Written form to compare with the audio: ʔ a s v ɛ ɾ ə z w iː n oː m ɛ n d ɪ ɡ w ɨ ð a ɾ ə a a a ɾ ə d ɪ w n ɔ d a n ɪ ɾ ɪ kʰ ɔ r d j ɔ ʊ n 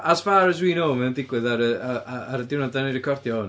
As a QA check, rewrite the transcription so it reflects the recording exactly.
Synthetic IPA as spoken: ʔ a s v a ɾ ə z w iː n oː m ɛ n d ɪ ɡ w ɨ ð a ɾ ə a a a ɾ ə d ɪ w n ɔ d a n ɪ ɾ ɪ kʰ ɔ r d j ɔ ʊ n